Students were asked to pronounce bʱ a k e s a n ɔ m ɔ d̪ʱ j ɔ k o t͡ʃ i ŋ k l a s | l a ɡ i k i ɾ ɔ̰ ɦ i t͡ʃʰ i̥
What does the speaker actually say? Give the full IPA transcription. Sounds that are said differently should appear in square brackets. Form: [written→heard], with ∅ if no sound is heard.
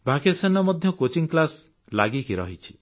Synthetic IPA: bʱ a k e s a n ɔ m ɔ d̪ʱ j ɔ k o t͡ʃ i ŋ k l a s | l a ɡ i k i ɾ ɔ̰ ɦ i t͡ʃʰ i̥